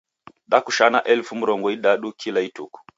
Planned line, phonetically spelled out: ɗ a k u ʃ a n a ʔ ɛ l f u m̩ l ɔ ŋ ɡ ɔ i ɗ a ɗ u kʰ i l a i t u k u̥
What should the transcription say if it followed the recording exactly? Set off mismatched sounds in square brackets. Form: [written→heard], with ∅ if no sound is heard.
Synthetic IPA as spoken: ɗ a k u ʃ a n a ʔ ɛ l f u m̩ [l→ɾ] ɔ ŋ ɡ ɔ i ɗ a ɗ u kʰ i l a i t u k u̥